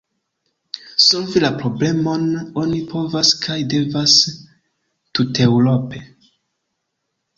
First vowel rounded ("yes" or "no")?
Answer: yes